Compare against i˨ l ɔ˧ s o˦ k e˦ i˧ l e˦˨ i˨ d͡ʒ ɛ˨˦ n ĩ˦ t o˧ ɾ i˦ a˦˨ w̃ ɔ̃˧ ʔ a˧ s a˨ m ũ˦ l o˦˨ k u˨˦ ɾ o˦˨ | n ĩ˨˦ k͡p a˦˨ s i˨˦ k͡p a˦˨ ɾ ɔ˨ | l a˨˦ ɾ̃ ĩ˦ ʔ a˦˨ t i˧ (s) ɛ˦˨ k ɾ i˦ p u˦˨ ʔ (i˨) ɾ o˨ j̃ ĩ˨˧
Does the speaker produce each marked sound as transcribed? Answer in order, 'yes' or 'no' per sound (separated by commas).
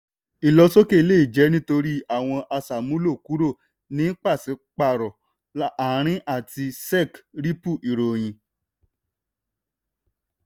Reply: yes, yes